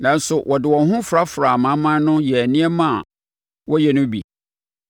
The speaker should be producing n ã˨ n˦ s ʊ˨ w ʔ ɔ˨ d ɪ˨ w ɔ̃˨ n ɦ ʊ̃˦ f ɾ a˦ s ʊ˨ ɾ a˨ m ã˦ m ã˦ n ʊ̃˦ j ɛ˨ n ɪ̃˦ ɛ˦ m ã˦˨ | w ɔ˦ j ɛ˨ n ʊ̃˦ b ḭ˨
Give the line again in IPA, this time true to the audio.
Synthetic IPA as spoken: n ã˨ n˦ s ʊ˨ w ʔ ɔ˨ d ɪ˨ w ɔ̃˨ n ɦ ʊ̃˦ f ɾ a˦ f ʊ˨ ɾ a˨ m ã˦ m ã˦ n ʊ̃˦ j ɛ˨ n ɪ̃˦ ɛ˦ m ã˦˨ | w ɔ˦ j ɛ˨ n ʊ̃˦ b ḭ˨